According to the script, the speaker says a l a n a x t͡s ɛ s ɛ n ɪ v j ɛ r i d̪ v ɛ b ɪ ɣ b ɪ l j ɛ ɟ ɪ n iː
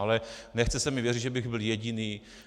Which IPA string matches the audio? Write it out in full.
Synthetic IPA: a l ɛ n ɛ x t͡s ɛ s ɛ m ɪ v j ɛ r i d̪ ʒ ɛ b ɪ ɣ b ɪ l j ɛ ɟ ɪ n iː